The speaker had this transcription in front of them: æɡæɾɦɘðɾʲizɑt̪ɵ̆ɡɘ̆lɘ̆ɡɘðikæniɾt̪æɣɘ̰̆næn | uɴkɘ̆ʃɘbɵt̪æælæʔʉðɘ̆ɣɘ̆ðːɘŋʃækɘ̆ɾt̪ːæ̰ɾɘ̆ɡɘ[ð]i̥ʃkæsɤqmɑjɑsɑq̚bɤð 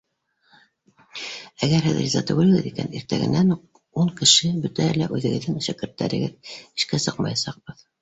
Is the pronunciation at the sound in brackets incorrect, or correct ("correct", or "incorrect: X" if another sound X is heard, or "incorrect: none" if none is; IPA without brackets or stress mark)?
correct